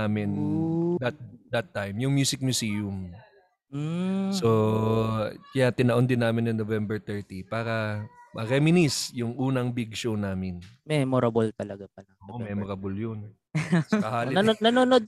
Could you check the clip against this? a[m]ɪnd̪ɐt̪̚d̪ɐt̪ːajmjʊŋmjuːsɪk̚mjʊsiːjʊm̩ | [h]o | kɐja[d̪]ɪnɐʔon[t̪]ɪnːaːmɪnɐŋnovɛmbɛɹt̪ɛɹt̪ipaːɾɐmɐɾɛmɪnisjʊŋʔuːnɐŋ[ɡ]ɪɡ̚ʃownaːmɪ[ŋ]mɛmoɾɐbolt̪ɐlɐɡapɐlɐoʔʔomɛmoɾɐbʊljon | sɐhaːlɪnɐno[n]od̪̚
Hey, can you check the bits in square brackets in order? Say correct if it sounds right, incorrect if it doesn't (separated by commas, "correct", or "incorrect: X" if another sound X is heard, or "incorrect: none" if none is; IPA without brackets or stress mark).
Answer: correct, incorrect: s, incorrect: t̪, incorrect: d̪, incorrect: b, incorrect: n, correct